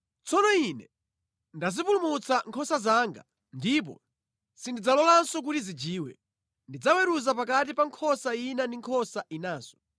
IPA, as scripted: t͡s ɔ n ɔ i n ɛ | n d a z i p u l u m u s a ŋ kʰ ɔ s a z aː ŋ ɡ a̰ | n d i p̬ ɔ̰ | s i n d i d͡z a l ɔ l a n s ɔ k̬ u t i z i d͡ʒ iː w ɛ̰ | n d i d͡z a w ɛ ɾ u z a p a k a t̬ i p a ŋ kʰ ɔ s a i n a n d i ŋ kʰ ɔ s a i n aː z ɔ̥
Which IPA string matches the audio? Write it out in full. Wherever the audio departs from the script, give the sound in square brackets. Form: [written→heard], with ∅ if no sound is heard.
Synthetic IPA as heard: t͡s ɔ n ɔ i n ɛ | n d a z i p u l u m u [s→t͡s] a ŋ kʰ ɔ s a z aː ŋ ɡ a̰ | n d i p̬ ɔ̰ | s i n d i d͡z a l ɔ l a n s ɔ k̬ u t i z i d͡ʒ iː w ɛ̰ | n d i d͡z a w ɛ ɾ u z a p a k a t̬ i p a ŋ kʰ ɔ s a i n a n d i ŋ kʰ ɔ s a i n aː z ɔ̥